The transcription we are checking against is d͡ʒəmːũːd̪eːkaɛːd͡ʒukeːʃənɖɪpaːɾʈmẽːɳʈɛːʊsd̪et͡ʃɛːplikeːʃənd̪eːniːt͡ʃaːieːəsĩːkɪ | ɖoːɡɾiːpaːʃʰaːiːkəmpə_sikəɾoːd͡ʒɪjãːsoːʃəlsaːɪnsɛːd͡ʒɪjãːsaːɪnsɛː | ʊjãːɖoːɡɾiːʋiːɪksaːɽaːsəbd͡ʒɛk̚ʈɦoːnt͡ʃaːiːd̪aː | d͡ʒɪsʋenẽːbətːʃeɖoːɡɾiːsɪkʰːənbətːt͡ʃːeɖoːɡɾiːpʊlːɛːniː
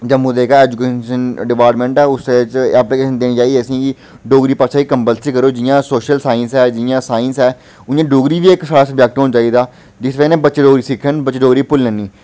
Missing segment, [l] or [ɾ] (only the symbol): l